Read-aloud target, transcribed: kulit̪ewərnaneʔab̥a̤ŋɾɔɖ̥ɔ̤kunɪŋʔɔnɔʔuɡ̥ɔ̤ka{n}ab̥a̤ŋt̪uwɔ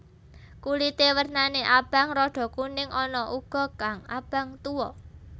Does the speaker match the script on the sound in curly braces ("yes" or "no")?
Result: no